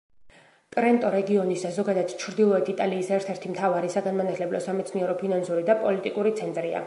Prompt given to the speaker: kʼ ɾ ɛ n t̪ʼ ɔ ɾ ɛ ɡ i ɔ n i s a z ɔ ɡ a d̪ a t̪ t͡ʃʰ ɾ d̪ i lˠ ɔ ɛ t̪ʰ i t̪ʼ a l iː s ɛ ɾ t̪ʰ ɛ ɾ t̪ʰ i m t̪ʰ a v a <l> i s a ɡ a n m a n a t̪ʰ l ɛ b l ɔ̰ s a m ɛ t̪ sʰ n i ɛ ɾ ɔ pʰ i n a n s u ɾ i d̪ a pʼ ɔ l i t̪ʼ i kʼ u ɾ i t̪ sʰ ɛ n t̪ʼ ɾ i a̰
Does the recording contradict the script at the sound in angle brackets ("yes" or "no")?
yes